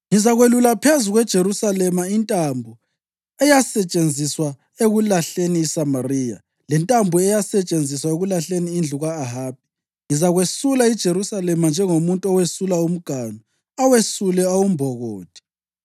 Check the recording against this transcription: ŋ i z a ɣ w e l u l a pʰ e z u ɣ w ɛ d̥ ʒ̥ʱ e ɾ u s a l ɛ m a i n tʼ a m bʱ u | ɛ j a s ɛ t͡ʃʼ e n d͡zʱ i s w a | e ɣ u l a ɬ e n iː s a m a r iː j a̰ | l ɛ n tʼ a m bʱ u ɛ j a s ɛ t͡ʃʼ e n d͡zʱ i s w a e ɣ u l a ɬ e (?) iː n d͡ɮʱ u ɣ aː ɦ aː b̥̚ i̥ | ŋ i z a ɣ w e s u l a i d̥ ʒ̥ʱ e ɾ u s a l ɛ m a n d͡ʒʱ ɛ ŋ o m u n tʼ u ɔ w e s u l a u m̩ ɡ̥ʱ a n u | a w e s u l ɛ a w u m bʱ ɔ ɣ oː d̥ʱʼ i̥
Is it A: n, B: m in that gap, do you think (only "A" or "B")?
A